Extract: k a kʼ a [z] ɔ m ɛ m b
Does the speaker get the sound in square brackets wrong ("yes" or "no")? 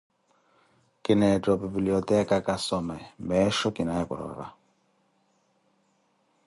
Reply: yes